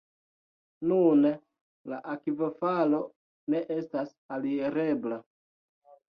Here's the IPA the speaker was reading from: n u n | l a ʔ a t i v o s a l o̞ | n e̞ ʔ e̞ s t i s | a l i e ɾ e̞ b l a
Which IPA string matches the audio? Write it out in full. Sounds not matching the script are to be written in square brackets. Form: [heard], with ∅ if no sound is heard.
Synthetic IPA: n u n | l a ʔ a [k] i v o [f] a l o̞ | n e̞ ʔ e̞ s t [a] s | a l i e ɾ e̞ b l a